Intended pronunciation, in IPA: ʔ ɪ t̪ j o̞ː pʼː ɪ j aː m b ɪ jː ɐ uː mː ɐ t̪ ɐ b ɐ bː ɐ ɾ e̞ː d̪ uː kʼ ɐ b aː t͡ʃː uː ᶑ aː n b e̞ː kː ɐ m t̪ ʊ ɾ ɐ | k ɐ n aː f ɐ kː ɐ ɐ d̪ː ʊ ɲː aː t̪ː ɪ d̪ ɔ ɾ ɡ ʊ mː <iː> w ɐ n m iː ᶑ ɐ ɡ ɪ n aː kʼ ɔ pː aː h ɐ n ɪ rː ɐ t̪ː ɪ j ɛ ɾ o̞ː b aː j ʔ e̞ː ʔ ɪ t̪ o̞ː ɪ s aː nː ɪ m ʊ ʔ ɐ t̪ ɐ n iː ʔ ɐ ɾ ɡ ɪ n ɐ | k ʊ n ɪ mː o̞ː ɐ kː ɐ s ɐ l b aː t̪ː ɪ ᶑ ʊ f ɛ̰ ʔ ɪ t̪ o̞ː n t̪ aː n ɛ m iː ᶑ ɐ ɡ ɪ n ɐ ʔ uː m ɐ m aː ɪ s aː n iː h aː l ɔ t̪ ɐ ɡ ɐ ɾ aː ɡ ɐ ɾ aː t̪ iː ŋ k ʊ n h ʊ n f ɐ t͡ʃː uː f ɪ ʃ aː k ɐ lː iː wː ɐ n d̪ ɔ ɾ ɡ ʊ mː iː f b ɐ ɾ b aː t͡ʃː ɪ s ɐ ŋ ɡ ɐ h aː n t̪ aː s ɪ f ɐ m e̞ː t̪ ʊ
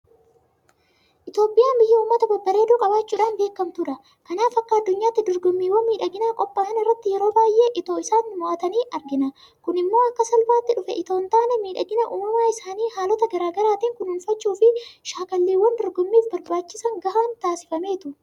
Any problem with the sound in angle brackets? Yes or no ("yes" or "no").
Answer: no